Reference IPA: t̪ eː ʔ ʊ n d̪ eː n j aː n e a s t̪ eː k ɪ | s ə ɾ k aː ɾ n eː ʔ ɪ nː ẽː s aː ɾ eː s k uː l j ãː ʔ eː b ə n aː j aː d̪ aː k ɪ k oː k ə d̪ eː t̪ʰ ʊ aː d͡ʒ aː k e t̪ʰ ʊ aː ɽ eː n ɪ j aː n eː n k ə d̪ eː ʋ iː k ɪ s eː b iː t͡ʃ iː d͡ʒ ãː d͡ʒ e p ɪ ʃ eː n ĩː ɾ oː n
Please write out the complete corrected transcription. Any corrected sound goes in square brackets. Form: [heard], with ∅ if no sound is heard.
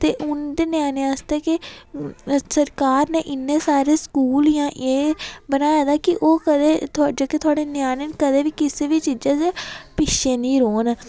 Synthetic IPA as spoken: t̪ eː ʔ ʊ n d̪ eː n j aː n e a s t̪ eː k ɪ | s ə ɾ k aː ɾ n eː ʔ ɪ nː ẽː s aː ɾ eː s k uː l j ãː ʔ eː b ə n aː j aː d̪ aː k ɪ [ʔ] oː k ə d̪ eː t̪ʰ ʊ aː d͡ʒ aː k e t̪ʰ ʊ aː ɽ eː n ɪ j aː n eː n k ə d̪ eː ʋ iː k ɪ s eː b iː t͡ʃ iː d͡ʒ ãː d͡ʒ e p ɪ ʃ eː n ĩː ɾ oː n